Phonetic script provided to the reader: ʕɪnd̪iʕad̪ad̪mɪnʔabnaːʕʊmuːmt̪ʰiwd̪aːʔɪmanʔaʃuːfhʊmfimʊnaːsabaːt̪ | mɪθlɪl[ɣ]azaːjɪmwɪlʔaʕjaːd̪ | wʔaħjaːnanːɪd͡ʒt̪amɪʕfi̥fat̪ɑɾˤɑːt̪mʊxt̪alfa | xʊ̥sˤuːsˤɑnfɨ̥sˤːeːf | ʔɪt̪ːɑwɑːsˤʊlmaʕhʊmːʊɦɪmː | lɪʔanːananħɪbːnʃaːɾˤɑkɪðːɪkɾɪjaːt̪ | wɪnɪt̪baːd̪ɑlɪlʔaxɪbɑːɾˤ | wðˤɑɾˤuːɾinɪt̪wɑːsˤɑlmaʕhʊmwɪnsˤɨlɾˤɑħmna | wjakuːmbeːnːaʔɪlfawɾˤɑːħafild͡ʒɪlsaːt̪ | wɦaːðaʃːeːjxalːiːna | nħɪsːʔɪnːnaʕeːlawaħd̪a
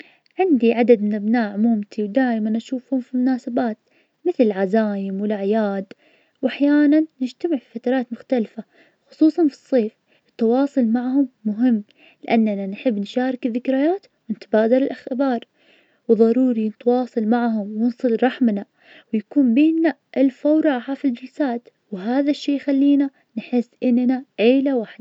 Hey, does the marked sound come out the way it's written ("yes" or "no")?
no